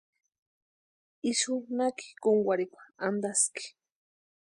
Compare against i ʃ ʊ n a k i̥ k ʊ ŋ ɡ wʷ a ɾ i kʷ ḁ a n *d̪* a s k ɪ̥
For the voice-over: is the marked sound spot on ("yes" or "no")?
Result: yes